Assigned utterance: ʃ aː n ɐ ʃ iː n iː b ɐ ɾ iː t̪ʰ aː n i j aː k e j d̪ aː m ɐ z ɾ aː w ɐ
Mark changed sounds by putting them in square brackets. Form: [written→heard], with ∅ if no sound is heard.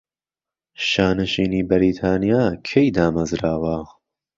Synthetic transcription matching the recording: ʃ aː n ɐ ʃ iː n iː b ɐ ɾ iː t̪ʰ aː n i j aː [k→kʰ] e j d̪ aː m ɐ z ɾ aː w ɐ

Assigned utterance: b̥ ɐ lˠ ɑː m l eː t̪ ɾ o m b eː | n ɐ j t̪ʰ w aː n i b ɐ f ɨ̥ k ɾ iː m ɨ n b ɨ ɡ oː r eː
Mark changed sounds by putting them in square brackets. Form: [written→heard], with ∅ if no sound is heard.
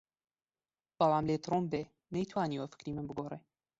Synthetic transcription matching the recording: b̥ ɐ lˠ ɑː m l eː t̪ ɾ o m b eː | n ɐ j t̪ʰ w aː n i [b→w] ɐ f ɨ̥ k ɾ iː m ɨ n b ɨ ɡ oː r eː

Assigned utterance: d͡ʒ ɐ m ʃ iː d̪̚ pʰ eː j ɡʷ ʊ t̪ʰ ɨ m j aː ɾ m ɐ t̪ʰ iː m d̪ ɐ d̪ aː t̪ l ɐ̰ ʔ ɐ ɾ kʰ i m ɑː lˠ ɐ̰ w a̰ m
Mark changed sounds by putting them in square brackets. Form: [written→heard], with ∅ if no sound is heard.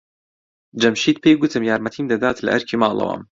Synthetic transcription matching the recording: d͡ʒ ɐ m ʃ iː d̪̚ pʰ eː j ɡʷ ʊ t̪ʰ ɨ m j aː ɾ m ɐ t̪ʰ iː m d̪ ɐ d̪ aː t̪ l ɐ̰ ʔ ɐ ɾ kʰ i m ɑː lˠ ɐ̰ w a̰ m

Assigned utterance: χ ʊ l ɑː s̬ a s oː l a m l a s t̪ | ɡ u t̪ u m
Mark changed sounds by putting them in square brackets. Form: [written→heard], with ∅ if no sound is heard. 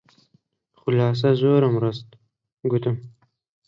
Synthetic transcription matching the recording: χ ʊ l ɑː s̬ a [s→z] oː [l→ɾ] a m [l→ɾ] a s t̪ | ɡ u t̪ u m

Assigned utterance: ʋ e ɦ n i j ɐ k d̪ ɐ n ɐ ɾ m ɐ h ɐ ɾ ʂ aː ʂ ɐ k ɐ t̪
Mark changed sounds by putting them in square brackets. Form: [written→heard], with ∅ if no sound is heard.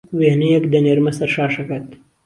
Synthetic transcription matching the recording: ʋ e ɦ n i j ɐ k d̪ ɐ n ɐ ɾ m ɐ [h→s] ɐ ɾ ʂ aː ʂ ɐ k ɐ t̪

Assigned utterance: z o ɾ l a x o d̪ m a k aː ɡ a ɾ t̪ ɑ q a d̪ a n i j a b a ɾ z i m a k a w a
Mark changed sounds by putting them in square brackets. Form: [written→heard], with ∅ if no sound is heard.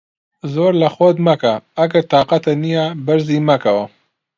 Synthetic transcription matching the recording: z o ɾ l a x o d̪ m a k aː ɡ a ɾ t̪ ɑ q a [d̪→t̪] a n i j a b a ɾ z i m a k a w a

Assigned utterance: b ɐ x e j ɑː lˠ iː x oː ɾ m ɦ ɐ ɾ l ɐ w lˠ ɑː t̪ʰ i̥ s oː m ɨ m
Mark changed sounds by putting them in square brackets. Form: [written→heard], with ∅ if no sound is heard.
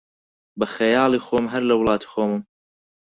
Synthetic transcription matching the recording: b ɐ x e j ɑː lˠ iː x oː [ɾ→∅] m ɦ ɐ ɾ l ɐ w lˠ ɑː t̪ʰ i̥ [s→x] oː m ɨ m

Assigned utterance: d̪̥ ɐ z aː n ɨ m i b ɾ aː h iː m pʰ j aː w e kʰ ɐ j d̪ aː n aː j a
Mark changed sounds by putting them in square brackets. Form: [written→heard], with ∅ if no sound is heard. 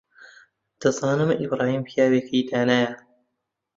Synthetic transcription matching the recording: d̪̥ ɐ z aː n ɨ m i b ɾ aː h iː m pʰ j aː w e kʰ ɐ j d̪ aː n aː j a

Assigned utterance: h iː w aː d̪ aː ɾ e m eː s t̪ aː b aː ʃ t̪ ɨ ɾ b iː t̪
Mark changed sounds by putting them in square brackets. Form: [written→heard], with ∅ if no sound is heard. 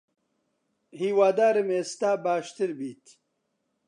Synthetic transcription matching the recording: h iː w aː d̪ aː ɾ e m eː s t̪ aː b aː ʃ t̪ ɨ ɾ b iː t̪

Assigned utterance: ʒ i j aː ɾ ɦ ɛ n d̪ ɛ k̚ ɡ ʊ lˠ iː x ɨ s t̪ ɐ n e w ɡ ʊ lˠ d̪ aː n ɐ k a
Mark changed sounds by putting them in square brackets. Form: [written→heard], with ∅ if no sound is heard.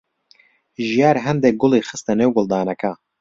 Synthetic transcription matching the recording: ʒ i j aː ɾ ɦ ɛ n d̪ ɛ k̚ ɡ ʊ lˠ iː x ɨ s t̪ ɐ n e w ɡ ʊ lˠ d̪ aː n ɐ k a

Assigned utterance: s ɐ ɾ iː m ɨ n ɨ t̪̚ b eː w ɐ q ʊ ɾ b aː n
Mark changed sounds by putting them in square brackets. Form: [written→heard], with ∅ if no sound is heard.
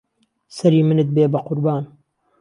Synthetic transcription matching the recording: s ɐ ɾ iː m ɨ n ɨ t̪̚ b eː [w→b] ɐ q ʊ ɾ b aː n

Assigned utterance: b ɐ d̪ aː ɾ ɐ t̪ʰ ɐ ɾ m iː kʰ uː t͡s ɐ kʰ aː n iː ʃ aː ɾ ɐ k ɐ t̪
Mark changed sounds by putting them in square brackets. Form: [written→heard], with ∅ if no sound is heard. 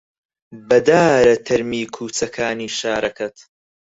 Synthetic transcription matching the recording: b ɐ d̪ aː ɾ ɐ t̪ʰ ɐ ɾ m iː kʰ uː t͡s ɐ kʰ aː n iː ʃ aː ɾ ɐ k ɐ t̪

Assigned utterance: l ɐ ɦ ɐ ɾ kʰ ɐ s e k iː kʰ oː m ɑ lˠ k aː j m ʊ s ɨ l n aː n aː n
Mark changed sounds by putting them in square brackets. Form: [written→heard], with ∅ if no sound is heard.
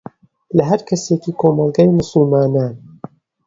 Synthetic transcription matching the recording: l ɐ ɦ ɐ ɾ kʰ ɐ s e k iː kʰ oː m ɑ lˠ [k→ɡ] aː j m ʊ s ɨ l [n→m] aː n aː n

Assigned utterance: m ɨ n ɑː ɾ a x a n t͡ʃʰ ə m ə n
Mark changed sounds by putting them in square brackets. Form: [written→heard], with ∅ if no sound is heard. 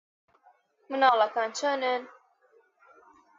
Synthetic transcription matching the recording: m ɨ n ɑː [ɾ→l] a [x→k] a n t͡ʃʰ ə [m→n] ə n

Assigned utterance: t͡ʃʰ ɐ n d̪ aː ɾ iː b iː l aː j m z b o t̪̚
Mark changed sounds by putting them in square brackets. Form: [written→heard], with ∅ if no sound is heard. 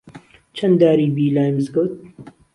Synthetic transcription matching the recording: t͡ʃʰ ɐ n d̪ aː ɾ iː b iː l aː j m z [b→ɡ] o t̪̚

